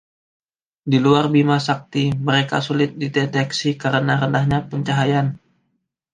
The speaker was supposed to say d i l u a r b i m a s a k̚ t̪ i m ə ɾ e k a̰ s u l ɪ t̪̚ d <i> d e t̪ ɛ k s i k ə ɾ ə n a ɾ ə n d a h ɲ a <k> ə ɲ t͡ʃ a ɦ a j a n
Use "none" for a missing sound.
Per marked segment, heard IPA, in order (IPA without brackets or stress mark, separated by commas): i, p